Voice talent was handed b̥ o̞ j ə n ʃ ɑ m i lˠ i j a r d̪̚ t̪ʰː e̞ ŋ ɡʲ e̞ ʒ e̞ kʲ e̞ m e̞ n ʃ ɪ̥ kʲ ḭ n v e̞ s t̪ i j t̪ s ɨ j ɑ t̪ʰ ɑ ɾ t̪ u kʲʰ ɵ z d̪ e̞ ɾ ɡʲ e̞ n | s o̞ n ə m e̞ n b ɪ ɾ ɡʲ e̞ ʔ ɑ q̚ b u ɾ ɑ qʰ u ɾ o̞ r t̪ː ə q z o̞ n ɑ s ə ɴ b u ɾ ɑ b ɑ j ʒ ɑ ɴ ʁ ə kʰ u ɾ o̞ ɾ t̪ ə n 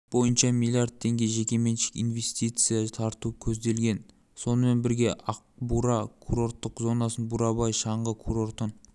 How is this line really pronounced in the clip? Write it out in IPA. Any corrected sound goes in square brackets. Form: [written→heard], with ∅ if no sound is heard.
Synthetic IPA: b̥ o̞ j ə n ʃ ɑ m i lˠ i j a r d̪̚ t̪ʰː e̞ ŋ ɡʲ e̞ ʒ e̞ kʲ e̞ m e̞ n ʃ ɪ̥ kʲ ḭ n v e̞ s t̪ i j t̪ s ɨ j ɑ t̪ʰ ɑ ɾ t̪ u kʲʰ ɵ z d̪ e̞ [ɾ→l] ɡʲ e̞ n | s o̞ n ə m e̞ n b ɪ ɾ ɡʲ e̞ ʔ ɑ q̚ b u ɾ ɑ [qʰ→kʰ] u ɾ o̞ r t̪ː ə q z o̞ n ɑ s ə [ɴ→n] b u ɾ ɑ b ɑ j [ʒ→ʃ] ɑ ɴ ʁ ə kʰ u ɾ o̞ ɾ t̪ ə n